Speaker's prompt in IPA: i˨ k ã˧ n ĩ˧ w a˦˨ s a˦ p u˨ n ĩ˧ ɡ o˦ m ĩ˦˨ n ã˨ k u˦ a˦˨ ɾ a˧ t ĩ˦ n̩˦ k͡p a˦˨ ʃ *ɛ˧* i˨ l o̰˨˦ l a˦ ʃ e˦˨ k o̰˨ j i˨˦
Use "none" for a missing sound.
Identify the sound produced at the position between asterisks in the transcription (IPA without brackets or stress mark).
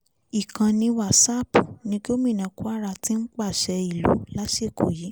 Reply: ɛ˧